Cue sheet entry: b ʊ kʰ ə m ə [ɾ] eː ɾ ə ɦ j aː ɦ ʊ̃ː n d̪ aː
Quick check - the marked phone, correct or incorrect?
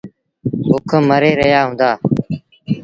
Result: correct